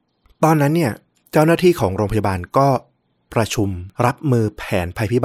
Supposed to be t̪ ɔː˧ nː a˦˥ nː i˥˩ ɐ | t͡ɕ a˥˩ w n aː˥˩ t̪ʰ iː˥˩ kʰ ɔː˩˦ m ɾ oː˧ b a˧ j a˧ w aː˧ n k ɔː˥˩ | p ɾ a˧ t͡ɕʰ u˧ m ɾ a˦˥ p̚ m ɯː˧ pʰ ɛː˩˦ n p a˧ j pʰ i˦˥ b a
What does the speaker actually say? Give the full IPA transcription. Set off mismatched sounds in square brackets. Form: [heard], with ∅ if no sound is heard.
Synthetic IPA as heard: t̪ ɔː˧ nː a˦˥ nː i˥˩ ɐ | t͡ɕ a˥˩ w n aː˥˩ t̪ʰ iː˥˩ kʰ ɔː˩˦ [ŋ] ɾ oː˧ [p] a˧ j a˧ [b] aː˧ n k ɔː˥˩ | p ɾ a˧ t͡ɕʰ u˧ m ɾ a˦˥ p̚ m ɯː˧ pʰ ɛː˩˦ n [pʰ] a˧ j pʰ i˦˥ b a